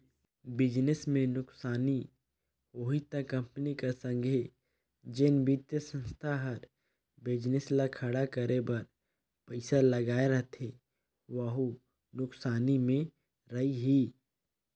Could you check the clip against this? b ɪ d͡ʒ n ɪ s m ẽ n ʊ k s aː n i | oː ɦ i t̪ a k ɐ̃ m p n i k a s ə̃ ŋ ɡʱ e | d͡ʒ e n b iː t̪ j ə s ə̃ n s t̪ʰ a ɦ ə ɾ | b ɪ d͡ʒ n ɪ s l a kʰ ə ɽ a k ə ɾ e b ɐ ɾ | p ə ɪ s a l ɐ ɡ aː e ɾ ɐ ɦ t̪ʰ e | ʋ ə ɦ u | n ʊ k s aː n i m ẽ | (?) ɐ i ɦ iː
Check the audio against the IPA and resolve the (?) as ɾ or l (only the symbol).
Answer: ɾ